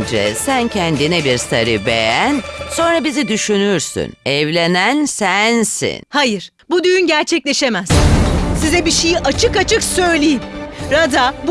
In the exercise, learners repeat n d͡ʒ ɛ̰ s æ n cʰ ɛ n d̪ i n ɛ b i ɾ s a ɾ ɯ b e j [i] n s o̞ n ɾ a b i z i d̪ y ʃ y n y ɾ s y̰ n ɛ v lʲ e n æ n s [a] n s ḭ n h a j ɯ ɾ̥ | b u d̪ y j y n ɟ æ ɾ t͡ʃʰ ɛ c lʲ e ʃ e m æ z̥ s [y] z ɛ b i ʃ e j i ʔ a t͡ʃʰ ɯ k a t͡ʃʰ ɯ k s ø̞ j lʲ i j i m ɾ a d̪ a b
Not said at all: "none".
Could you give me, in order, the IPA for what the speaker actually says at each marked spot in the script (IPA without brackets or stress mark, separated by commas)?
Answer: æ, æ, i